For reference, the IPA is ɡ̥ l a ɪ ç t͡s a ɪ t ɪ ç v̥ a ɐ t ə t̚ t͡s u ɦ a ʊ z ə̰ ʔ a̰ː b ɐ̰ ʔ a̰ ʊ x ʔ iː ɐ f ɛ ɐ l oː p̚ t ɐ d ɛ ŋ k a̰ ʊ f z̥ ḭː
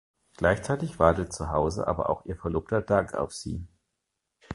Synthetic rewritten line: ɡ̥ l a ɪ ç t͡s a ɪ t ɪ ç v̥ a ɐ t ə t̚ t͡s u ɦ a ʊ z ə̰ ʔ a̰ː b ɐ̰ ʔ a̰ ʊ x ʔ iː ɐ f ɛ ɐ l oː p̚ t ɐ d a ŋ k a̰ ʊ f z̥ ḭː